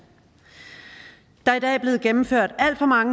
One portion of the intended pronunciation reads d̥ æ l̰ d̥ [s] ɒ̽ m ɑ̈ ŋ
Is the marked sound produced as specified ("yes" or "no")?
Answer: no